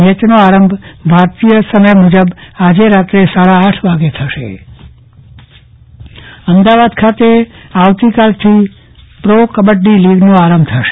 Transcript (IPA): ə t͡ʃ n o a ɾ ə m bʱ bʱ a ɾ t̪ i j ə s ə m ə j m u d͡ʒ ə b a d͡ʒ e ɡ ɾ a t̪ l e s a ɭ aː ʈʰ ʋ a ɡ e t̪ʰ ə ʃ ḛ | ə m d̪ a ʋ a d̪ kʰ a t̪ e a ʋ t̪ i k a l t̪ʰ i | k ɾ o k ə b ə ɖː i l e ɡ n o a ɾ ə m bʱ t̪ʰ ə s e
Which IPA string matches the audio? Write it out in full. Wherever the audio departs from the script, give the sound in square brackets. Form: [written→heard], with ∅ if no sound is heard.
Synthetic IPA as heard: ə t͡ʃ n o a ɾ ə m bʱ bʱ a ɾ t̪ i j ə s ə m ə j m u d͡ʒ ə b a d͡ʒ e [ɡ→∅] ɾ a t̪ [l→ɾ] e s a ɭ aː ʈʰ ʋ a ɡ e t̪ʰ ə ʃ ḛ | ə m d̪ a ʋ a d̪ kʰ a t̪ e a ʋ t̪ i k a l t̪ʰ i | [k→p] ɾ o k ə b ə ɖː i l [e→i] ɡ n o a ɾ ə m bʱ t̪ʰ ə [s→ʃ] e